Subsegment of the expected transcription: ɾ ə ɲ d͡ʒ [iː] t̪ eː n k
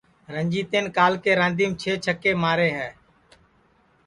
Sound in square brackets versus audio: correct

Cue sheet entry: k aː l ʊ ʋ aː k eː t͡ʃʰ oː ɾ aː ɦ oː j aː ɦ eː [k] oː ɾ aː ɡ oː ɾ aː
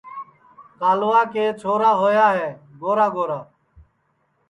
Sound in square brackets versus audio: incorrect: ɡ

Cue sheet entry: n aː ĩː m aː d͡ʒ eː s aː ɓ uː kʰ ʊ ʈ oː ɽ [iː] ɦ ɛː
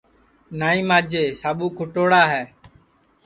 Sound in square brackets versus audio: incorrect: aː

